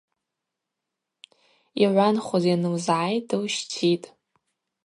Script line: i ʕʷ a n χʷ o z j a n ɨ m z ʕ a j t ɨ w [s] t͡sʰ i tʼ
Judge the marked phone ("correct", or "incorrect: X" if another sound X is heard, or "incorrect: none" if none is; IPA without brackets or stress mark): incorrect: ʃ